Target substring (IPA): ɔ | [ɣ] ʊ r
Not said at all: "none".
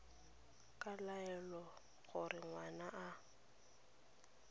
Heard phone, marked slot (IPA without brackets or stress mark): ɣ